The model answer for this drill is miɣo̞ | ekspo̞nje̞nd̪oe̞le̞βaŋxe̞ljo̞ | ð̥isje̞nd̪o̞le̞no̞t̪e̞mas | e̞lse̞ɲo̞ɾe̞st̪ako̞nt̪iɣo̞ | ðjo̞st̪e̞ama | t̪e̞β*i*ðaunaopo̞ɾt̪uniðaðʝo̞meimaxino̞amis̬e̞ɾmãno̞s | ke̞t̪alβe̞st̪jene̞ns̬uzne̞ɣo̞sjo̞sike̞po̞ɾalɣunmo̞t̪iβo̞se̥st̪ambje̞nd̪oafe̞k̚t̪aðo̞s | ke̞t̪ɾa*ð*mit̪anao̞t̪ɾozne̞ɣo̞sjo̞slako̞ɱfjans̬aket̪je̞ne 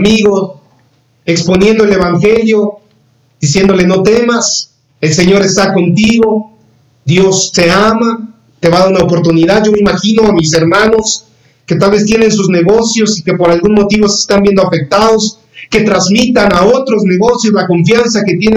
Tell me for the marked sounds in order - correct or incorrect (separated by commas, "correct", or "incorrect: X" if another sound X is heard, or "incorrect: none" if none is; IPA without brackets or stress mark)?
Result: incorrect: a, incorrect: z